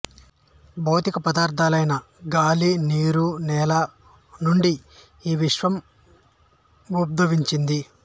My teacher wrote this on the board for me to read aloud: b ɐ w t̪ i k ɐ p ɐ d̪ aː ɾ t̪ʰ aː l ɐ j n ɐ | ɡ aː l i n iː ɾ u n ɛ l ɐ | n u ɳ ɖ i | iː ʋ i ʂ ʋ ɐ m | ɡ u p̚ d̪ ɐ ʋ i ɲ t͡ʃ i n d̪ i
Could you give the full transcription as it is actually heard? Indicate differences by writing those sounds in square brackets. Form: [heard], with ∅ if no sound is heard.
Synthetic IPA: b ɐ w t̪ i k ɐ p ɐ d̪ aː ɾ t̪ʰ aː l ɐ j n ɐ | ɡ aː l i n iː ɾ u n [ɛː] l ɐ | n u ɳ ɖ i | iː ʋ i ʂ ʋ ɐ m | ɡ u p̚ d̪ ɐ ʋ i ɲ t͡ʃ i n d̪ i